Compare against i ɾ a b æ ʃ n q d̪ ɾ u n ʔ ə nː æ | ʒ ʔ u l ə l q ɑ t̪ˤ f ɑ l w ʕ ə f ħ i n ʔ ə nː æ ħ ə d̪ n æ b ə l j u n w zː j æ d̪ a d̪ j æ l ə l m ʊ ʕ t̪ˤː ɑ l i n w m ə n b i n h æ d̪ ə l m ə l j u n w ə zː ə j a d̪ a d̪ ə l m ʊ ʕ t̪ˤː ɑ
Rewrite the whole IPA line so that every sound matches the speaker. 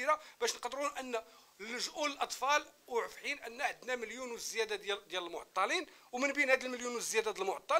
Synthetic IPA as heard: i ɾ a b æ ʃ n q d̪ ɾ u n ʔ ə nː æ | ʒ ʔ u l ə l ʔ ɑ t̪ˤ f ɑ l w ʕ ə f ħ i n ʔ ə nː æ ħ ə d̪ n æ m ə l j u n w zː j æ d̪ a d̪ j æ l ə l m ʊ ʕ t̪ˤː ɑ l i n w m ə n b i n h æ d̪ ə l m ə l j u n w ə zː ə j æ d̪ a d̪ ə l m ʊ ʕ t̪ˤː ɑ